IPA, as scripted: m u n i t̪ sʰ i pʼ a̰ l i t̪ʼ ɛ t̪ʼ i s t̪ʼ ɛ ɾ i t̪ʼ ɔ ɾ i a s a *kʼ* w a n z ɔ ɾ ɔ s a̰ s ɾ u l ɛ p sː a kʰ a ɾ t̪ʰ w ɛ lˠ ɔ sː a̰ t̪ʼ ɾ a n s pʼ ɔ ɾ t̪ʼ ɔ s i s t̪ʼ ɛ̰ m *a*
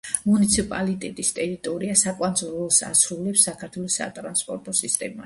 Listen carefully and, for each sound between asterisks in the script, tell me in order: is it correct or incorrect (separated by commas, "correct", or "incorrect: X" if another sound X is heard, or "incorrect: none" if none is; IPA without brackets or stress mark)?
correct, correct